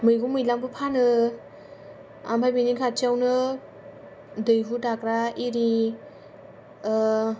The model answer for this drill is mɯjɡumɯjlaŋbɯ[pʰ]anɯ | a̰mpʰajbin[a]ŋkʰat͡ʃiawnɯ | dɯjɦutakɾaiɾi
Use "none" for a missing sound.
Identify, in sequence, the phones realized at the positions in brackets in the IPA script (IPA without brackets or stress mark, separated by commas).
pʰ, i